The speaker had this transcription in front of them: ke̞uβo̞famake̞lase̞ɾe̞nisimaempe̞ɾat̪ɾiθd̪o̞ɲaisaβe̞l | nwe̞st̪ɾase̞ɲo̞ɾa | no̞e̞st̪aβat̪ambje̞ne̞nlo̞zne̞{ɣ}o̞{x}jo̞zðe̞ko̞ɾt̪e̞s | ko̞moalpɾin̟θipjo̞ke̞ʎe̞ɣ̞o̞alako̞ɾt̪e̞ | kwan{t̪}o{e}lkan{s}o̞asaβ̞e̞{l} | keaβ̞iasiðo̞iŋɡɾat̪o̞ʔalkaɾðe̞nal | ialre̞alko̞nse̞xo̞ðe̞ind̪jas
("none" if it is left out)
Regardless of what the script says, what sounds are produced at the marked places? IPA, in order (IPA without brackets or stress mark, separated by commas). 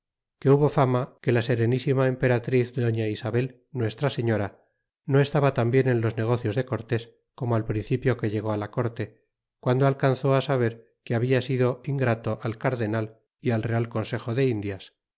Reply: ɣ, θ, d̪, a, θ, ɾ